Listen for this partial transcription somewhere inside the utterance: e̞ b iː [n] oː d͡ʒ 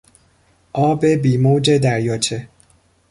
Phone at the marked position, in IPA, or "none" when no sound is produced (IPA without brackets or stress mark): m